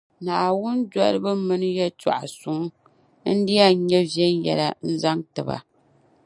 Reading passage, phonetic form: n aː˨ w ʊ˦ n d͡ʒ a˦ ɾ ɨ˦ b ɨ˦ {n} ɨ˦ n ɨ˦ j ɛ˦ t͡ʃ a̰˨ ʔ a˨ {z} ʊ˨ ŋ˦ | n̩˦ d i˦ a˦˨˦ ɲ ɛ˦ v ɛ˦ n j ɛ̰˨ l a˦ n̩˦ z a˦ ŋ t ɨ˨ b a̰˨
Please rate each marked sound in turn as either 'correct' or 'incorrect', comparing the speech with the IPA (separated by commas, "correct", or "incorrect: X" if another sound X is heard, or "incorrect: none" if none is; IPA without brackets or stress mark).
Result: incorrect: m, incorrect: s